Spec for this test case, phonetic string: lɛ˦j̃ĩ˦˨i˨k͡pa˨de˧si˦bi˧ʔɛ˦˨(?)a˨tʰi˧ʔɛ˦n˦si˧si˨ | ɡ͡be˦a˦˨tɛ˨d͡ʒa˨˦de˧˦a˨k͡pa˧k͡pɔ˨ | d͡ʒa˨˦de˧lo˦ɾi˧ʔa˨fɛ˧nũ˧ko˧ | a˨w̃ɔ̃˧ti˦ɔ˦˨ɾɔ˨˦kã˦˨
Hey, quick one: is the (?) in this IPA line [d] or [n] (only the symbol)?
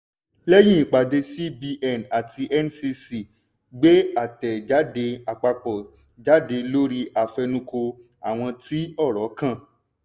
n